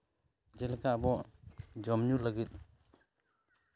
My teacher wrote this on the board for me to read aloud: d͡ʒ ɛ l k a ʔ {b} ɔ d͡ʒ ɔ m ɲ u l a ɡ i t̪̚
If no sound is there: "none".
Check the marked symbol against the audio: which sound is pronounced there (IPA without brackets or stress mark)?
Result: b